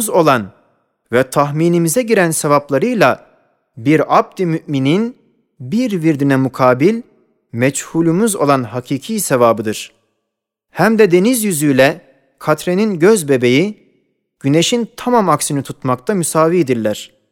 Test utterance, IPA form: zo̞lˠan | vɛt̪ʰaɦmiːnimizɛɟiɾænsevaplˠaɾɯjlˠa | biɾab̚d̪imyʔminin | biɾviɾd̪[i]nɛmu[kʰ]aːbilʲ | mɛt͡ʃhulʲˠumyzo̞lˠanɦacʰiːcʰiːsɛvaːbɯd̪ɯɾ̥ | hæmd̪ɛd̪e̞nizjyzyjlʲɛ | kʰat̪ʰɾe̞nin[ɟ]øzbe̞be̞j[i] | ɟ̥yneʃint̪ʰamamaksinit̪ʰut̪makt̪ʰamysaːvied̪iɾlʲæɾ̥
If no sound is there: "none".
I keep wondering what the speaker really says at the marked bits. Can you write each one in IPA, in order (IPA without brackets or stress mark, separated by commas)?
i, kʰ, ɟ, i